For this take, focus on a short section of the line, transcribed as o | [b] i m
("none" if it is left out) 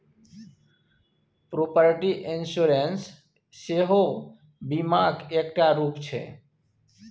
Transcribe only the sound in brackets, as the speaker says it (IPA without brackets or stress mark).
b